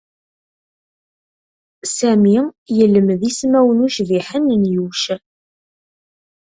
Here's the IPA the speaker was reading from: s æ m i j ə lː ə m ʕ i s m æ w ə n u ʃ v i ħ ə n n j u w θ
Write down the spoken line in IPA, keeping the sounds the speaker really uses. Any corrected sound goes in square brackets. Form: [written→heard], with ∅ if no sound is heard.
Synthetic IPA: s æ m i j ə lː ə m [ʕ→ð] i s m æ w ə n u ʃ v i ħ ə n n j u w [θ→ʃ]